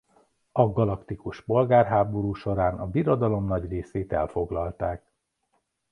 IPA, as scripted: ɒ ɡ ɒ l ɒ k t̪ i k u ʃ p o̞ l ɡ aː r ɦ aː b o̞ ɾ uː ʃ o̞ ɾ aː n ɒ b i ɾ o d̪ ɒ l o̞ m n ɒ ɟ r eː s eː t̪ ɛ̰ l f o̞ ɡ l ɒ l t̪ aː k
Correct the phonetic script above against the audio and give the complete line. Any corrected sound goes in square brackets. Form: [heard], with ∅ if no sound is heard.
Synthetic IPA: ɒ ɡ ɒ l ɒ k t̪ i k u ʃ p o̞ l ɡ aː r ɦ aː b o̞ ɾ uː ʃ o̞ ɾ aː n ɒ b i ɾ o d̪ ɒ l o̞ m n ɒ ɟ r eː s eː t̪ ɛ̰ l f o̞ ɡ l ɒ l t̪ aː k